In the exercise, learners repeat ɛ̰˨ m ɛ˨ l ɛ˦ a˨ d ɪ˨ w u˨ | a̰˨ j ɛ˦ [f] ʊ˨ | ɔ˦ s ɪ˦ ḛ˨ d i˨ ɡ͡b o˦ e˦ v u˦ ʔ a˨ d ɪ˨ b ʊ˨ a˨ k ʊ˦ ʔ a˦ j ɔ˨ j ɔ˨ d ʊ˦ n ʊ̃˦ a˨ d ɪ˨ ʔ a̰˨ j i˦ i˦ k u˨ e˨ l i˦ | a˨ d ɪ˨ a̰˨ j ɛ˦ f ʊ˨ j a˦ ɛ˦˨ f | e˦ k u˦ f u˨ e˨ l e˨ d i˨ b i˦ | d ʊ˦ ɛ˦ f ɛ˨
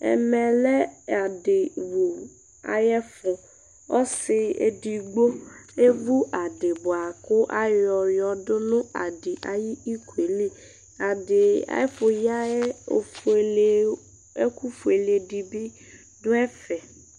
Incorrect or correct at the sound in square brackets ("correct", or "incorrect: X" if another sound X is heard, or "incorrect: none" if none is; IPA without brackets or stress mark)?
correct